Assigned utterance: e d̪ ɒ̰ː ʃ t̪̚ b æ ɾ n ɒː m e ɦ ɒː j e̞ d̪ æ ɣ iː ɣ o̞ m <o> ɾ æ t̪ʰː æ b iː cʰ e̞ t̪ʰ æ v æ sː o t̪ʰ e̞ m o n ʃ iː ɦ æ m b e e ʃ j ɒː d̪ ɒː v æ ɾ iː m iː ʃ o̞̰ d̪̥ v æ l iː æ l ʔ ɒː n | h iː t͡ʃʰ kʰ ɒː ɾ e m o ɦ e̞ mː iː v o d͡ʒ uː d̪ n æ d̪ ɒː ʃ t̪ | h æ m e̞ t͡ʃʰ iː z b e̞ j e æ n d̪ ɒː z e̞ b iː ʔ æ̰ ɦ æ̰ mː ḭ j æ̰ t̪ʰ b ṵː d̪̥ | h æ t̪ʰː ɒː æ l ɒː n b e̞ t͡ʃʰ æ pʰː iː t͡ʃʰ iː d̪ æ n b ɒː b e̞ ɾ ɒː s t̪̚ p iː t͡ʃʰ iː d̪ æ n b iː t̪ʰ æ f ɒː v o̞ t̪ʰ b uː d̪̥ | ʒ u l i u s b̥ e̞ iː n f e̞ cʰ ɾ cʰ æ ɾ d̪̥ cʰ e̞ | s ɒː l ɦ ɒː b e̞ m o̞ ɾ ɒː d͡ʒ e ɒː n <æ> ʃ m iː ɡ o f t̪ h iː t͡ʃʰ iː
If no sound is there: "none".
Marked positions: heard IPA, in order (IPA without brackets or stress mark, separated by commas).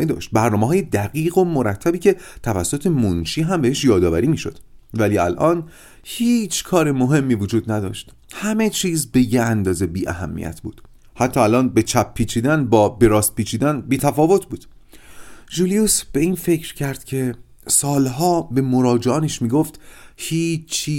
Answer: o, e